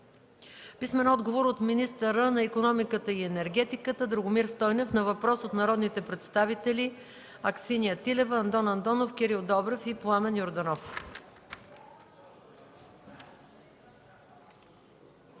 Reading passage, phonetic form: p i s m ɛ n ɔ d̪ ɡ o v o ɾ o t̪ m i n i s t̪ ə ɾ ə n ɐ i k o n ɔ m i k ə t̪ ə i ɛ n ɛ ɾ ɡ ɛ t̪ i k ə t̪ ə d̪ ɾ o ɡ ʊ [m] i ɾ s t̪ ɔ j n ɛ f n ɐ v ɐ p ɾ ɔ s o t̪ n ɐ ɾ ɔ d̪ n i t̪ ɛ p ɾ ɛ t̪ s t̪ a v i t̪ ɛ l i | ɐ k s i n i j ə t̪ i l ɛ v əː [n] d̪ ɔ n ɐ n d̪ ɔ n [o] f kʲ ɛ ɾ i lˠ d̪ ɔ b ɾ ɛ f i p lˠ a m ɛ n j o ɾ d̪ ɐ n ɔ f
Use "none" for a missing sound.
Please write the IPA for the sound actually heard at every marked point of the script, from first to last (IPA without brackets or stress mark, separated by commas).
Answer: m, n, o